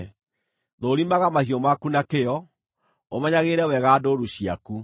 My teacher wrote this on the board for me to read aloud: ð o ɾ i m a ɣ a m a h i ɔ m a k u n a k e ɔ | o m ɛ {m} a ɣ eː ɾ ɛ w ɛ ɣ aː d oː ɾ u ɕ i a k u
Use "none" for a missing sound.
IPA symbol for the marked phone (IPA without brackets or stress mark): ɲ